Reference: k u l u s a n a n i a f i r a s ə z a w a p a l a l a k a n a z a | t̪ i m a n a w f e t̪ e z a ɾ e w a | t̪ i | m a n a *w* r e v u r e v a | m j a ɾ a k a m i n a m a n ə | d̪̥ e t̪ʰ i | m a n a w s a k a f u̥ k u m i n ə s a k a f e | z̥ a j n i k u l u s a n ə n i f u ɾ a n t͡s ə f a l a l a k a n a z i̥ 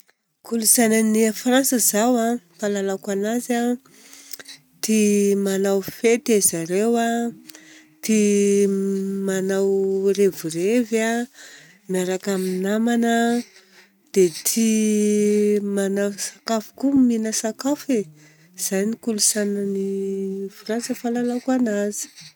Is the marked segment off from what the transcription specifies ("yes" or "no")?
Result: no